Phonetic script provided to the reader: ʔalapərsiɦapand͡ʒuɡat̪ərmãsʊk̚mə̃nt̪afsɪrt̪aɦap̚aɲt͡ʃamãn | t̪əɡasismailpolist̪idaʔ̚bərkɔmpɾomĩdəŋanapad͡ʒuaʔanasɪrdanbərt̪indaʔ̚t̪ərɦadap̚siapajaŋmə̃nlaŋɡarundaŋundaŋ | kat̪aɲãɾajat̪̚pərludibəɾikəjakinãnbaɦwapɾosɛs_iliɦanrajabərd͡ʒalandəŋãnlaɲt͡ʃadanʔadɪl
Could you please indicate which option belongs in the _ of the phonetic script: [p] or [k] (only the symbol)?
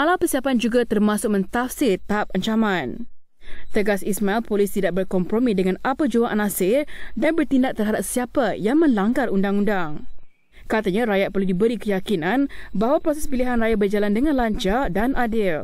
p